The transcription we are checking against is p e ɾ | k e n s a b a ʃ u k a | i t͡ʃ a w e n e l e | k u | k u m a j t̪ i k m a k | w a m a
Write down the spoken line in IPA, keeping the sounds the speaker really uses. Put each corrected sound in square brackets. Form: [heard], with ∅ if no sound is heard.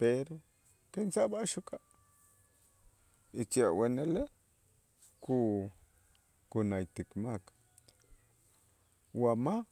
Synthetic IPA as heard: p e ɾ | k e n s a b a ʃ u k a | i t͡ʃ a w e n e l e | k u | k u [n] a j t̪ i k m a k | w a m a